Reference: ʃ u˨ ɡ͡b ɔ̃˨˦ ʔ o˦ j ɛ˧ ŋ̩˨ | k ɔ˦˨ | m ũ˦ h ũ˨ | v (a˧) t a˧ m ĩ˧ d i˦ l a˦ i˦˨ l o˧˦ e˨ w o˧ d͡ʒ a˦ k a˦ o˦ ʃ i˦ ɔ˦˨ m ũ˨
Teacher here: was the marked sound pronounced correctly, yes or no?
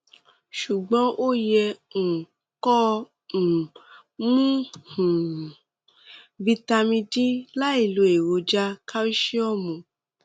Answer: no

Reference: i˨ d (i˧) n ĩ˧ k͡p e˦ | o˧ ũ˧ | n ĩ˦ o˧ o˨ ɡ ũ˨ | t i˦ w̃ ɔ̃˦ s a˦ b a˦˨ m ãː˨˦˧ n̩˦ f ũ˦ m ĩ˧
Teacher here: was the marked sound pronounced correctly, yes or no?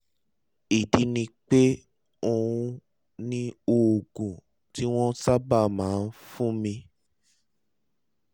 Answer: yes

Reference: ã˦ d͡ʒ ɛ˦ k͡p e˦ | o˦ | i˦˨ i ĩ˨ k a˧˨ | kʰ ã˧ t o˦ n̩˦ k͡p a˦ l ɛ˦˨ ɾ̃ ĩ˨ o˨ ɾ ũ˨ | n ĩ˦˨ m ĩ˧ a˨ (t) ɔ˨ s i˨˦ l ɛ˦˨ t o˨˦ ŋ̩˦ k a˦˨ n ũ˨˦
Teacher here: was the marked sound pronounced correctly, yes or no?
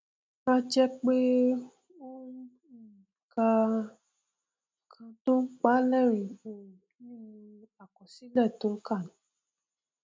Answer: no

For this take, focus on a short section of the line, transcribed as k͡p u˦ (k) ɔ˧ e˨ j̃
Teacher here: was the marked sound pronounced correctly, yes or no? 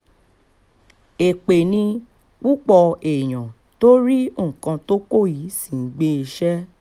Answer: no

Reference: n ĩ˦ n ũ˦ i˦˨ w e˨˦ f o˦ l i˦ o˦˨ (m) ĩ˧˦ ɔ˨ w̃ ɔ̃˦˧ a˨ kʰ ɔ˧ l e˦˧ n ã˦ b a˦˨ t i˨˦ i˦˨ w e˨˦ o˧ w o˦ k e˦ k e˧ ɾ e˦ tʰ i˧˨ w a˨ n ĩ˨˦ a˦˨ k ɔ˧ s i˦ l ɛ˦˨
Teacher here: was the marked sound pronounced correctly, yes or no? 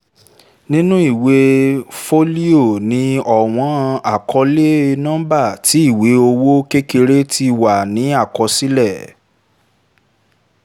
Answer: no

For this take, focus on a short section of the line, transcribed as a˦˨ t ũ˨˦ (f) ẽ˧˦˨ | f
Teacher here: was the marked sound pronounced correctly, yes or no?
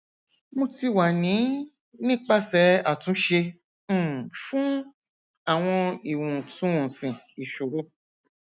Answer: no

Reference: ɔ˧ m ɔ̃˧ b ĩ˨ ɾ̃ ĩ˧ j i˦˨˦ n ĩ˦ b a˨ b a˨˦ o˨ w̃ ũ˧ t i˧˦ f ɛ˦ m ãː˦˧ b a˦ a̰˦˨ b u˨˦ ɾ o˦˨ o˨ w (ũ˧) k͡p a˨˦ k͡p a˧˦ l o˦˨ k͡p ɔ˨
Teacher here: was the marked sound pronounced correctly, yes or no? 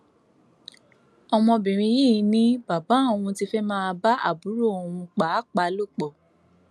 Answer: yes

